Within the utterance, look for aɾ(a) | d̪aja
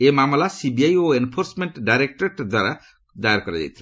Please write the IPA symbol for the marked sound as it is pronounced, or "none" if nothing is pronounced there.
a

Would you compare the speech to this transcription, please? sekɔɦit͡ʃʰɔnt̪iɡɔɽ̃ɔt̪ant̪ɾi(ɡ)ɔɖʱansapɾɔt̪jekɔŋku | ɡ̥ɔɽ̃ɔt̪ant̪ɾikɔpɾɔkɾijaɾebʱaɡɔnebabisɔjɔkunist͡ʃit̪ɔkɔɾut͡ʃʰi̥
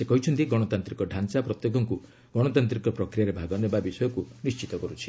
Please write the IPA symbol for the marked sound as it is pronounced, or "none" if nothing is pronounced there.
k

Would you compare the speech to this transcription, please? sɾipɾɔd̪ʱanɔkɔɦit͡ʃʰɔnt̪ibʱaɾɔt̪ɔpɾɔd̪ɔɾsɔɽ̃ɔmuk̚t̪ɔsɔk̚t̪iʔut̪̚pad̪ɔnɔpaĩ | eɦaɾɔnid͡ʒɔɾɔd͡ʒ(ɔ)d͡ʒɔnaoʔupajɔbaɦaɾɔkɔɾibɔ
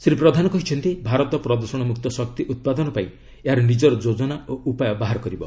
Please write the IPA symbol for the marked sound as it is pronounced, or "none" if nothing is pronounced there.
o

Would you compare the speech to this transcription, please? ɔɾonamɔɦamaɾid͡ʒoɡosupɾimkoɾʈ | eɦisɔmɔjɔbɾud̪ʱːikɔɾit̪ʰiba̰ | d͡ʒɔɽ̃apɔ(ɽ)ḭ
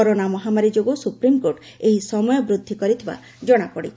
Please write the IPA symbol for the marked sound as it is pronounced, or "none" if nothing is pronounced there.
ɽ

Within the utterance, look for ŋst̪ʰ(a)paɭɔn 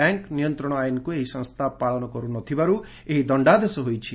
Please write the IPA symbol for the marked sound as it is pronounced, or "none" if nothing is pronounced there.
a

